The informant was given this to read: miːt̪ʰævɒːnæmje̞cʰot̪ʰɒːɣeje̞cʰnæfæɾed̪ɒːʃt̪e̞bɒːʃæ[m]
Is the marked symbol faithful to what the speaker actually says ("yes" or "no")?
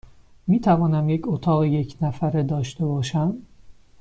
yes